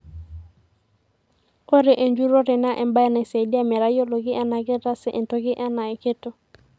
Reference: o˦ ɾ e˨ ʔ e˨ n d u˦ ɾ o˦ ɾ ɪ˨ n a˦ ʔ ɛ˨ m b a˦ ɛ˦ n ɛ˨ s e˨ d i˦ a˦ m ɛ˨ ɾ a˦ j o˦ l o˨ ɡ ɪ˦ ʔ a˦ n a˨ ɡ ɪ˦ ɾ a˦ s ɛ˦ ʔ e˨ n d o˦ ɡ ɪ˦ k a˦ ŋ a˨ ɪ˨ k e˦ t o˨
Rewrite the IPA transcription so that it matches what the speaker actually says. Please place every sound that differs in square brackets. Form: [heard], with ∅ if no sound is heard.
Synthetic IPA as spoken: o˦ ɾ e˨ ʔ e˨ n [d͡ʒ] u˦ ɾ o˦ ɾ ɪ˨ n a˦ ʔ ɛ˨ m b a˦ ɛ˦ n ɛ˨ s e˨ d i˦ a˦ m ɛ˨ ɾ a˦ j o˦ l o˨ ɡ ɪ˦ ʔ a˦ n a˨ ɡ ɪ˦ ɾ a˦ s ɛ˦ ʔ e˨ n [t] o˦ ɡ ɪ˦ [ʔ] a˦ [n] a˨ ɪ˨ k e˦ t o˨